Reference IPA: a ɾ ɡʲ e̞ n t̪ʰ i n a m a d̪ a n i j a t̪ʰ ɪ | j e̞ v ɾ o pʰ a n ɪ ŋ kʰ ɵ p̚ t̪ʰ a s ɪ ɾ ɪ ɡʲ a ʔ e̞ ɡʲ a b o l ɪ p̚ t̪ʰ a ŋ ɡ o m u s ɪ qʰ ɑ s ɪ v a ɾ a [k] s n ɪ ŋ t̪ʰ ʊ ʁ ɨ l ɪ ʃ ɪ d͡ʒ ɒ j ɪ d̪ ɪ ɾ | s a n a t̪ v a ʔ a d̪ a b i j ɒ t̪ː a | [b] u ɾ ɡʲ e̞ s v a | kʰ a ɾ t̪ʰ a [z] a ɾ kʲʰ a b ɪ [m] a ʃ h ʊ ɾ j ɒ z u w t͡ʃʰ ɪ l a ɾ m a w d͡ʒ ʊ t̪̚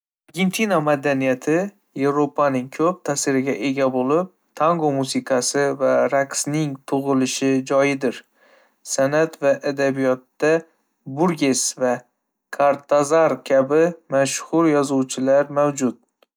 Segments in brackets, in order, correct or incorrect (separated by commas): correct, correct, correct, correct